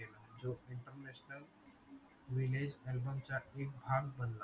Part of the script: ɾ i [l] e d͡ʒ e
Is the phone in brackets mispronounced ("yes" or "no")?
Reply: no